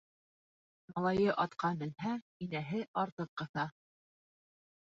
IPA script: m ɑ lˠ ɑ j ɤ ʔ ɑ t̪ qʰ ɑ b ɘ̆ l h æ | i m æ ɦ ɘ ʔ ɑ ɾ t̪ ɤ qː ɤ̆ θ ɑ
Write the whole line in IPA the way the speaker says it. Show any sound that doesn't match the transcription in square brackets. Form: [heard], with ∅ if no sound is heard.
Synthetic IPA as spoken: m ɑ lˠ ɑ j ɤ ʔ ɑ t̪ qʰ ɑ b ɘ̆ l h æ | i [n] æ ɦ ɘ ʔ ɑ ɾ t̪ ɤ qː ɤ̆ θ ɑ